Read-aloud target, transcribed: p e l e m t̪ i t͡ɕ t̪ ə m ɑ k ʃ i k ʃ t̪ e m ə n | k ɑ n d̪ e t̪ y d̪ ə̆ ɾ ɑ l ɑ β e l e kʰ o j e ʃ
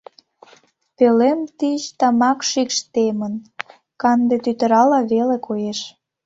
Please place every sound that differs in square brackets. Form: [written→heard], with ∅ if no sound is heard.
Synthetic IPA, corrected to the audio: p e l e m t̪ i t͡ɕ t̪ [ə→ɑ] m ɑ k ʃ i k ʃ t̪ e m ə n | k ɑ n d̪ e t̪ y [d̪→t̪] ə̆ ɾ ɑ l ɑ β e l e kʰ o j e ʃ